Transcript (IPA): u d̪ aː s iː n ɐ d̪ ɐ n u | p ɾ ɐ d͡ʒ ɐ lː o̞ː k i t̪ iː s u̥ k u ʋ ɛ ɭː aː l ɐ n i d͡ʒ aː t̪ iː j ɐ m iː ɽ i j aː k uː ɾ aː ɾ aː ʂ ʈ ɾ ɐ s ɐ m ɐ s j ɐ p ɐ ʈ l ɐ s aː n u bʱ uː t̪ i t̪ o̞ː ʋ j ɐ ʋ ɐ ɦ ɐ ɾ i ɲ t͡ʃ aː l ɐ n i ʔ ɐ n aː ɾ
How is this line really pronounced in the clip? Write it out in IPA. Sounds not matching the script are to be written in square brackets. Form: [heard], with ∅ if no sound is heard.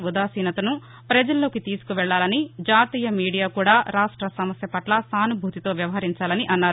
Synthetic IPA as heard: u d̪ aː s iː n ɐ [t̪] ɐ n u | p ɾ ɐ d͡ʒ ɐ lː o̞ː k i t̪ iː s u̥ k u ʋ ɛ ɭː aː l ɐ n i d͡ʒ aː t̪ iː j ɐ m iː ɽ i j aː k uː [ɽ] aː ɾ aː ʂ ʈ ɾ ɐ s ɐ m ɐ s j ɐ p ɐ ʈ l ɐ s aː n u bʱ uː t̪ i t̪ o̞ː ʋ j ɐ ʋ ɐ ɦ ɐ ɾ i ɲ t͡ʃ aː l ɐ n i ʔ ɐ [nː] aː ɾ